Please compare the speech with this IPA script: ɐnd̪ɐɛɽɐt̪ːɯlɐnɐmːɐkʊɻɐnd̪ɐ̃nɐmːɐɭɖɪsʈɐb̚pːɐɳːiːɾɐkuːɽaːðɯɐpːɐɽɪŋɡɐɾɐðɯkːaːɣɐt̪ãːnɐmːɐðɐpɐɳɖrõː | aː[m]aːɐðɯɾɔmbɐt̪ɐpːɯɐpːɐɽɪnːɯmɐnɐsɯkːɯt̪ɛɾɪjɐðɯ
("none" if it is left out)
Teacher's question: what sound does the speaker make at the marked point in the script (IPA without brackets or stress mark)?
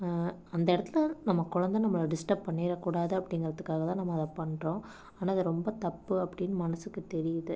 n